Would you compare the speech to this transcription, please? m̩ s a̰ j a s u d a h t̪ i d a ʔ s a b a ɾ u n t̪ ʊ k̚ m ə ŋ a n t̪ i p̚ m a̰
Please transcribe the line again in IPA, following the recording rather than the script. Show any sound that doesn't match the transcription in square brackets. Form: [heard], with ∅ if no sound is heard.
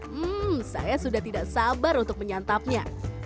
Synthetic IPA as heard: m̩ s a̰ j a s u d a h t̪ i d a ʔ s a b a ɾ u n t̪ ʊ k̚ m ə [ɲ] a n t̪ [a] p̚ [ɲ] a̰